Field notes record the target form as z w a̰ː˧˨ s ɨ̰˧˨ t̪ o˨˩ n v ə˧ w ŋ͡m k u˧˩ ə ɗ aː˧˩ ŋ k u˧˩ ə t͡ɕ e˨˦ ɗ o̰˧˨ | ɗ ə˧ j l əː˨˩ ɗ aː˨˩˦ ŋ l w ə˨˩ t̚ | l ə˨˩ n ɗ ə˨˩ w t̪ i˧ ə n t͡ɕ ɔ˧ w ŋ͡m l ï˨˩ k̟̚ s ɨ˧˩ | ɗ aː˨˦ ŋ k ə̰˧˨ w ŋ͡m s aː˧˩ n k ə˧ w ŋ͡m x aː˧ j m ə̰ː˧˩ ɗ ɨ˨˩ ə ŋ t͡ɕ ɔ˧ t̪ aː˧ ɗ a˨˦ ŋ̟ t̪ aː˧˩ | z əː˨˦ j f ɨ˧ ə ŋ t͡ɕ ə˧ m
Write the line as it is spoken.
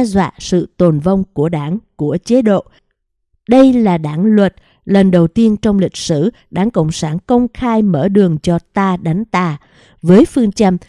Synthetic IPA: z w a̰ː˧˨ s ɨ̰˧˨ t̪ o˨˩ n v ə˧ w ŋ͡m k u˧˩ ə ɗ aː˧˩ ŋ k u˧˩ ə t͡ɕ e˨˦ ɗ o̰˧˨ | ɗ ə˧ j l aː˨˩ ɗ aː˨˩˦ ŋ l w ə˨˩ t̚ | l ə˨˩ n ɗ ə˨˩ w t̪ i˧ ə n t͡ɕ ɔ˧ w ŋ͡m l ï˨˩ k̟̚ s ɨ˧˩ | ɗ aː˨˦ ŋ k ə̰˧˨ w ŋ͡m s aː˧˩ n k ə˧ w ŋ͡m x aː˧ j m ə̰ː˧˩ ɗ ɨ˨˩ ə ŋ t͡ɕ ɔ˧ t̪ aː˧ ɗ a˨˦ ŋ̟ t̪ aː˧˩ | v əː˨˦ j f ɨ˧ ə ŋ t͡ɕ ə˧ m